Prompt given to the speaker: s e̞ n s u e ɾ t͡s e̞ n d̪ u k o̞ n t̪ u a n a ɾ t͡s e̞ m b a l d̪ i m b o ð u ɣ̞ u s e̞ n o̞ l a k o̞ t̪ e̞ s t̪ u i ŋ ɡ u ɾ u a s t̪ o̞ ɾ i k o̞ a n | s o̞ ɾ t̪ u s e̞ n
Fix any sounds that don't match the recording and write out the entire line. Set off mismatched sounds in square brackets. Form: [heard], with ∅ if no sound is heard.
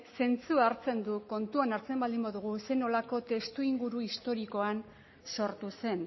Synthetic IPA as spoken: s e̞ n [t͡s] u [a] ɾ t͡s e̞ n d̪ u k o̞ n t̪ u a n a ɾ t͡s e̞ m b a l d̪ i m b o ð u ɣ̞ u s e̞ n o̞ l a k o̞ t̪ e̞ s t̪ u i ŋ ɡ u ɾ u [i] s t̪ o̞ ɾ i k o̞ a n | s o̞ ɾ t̪ u s e̞ n

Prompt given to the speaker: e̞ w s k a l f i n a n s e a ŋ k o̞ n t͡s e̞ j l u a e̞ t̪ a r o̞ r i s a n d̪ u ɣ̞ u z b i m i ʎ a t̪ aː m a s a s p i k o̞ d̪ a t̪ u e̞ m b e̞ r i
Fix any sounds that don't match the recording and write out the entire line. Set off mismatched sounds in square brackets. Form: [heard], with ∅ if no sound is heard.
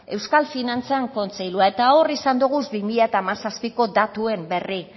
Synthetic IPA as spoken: e̞ w s k a l f i n a n [t͡s] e a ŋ k o̞ n t͡s e̞ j l u a e̞ t̪ a [∅] o̞ r i s a n d̪ u ɣ̞ u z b i m i ʎ a t̪ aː m a s a s p i k o̞ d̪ a t̪ u e̞ m b e̞ r i

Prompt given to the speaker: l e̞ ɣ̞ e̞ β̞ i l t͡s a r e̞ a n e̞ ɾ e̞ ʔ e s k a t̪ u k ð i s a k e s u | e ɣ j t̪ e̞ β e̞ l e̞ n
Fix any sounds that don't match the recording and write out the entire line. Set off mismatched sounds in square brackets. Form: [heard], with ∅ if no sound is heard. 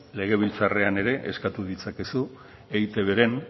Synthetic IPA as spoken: l e̞ ɣ̞ e̞ β̞ i l t͡s a r e̞ a n e̞ ɾ e̞ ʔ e s k a t̪ u [∅] ð i [t͡s] a k e s u | e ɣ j t̪ e̞ β e̞ [ɾ] e̞ n

